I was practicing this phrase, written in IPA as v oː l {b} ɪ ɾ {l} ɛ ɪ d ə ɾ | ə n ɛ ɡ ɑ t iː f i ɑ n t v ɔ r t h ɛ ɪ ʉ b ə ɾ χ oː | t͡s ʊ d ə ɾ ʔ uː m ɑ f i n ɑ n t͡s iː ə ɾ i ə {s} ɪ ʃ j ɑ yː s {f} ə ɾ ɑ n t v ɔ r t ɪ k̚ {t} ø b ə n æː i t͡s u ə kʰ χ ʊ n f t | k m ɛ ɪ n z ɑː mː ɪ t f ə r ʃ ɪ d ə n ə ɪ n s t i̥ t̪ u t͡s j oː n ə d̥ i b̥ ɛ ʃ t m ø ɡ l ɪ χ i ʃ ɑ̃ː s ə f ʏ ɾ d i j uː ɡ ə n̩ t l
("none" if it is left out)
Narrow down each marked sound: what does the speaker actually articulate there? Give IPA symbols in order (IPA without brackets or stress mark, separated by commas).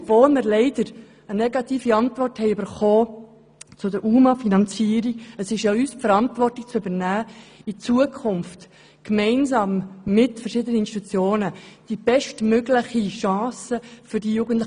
m, l, s, f, t͡s